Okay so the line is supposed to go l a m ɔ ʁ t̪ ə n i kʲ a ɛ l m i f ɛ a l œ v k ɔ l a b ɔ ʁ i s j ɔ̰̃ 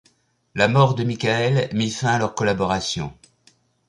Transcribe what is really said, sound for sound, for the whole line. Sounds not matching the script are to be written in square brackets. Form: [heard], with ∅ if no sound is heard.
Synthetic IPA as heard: l a m ɔ ʁ [d̪] ə [m] i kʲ a ɛ l m i f [ɛ̃] a l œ [ʁ] k ɔ l a b ɔ ʁ [a] s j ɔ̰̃